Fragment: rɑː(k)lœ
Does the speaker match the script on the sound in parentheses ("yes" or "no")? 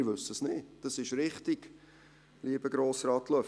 no